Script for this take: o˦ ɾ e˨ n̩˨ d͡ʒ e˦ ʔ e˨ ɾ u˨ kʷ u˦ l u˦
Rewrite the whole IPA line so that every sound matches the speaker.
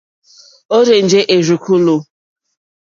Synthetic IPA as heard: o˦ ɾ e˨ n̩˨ d͡ʒ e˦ ʔ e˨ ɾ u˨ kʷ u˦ l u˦